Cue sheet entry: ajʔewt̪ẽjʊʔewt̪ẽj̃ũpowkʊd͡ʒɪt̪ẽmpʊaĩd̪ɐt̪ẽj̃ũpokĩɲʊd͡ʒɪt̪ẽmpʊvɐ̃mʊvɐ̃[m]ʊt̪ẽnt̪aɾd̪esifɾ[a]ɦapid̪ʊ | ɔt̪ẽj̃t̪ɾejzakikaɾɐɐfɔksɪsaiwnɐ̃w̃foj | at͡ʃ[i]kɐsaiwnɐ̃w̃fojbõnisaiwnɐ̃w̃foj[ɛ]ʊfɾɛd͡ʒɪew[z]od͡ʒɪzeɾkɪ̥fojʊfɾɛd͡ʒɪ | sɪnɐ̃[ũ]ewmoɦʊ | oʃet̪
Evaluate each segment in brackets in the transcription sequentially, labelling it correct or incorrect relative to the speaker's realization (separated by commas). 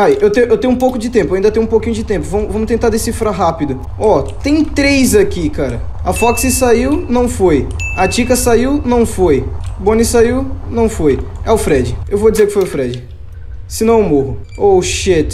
correct, correct, correct, correct, incorrect, incorrect